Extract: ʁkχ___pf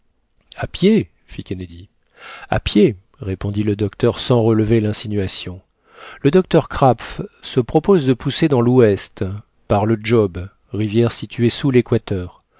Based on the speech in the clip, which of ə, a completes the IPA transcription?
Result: a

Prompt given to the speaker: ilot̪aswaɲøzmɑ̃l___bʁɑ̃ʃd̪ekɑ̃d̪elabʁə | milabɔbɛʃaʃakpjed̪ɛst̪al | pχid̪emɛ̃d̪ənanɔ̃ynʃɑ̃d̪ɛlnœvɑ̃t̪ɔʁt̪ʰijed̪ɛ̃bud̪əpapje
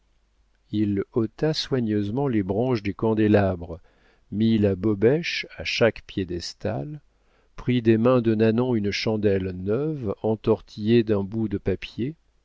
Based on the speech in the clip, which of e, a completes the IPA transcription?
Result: e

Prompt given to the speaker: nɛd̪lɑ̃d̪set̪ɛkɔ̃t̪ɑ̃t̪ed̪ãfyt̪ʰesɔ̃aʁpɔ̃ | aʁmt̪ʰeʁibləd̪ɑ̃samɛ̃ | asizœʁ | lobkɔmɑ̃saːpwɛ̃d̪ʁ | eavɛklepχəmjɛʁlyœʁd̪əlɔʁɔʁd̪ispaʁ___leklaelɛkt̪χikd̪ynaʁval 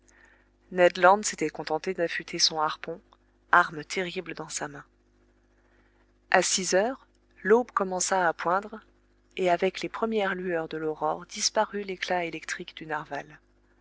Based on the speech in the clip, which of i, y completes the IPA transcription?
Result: y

